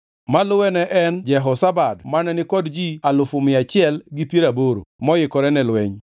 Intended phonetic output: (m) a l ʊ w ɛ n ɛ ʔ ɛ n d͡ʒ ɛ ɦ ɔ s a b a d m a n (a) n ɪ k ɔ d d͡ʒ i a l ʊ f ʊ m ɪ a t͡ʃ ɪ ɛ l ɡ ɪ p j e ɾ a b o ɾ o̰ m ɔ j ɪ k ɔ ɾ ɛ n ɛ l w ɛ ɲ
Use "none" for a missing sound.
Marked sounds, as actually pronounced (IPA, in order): m, ɛ

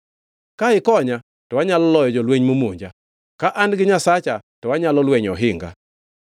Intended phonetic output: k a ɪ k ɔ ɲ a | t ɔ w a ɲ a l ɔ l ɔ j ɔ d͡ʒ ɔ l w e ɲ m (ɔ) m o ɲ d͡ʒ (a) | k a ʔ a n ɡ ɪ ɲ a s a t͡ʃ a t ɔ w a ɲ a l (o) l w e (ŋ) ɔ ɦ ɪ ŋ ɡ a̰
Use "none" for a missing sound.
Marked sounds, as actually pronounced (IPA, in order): o, a, ɔ, ɲ

